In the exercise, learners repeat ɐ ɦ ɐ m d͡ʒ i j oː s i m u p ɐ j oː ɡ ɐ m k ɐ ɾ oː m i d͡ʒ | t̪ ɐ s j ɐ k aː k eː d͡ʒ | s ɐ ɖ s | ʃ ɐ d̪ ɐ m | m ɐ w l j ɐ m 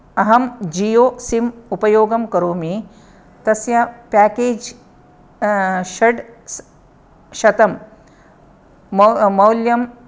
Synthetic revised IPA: ɐ ɦ ɐ m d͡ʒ i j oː s i m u p ɐ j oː ɡ ɐ m k ɐ ɾ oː m i | t̪ ɐ s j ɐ p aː k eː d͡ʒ | ʃ ɐ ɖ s | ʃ ɐ t̪ ɐ m | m ɐ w l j ɐ m